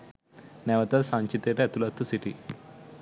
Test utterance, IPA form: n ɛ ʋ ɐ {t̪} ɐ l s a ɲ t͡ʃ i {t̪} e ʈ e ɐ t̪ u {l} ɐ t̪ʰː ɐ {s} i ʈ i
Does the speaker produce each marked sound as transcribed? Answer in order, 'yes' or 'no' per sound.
yes, yes, yes, yes

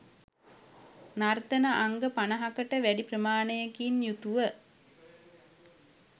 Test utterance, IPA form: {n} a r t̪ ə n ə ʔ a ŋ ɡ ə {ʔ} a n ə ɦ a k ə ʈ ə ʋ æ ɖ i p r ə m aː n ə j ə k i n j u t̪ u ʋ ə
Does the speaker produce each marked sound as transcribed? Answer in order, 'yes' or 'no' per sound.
yes, no

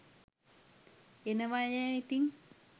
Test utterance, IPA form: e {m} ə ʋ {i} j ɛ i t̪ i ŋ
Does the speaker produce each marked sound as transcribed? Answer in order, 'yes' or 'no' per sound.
no, no

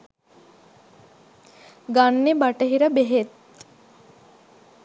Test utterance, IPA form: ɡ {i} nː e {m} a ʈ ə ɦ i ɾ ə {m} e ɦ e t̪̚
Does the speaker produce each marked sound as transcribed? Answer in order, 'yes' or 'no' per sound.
no, no, no

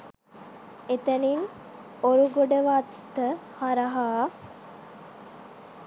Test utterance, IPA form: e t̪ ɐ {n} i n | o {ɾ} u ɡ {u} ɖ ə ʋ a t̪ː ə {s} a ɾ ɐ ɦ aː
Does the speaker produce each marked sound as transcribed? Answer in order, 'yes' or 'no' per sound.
yes, yes, no, no

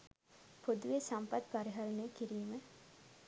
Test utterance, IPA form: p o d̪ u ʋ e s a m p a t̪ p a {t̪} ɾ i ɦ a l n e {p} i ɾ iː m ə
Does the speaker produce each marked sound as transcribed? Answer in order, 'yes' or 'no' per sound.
no, no

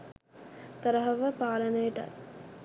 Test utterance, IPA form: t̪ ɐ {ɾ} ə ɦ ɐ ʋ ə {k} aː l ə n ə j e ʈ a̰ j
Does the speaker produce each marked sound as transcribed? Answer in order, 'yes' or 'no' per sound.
yes, no

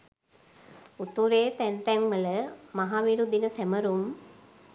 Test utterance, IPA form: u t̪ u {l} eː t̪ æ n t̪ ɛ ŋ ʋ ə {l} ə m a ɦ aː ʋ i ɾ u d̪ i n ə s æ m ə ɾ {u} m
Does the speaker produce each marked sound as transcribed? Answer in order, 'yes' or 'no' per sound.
no, yes, yes

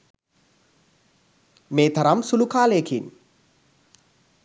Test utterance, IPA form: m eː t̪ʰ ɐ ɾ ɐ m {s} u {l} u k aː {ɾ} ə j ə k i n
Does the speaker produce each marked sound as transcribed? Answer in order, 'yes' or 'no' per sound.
yes, yes, no

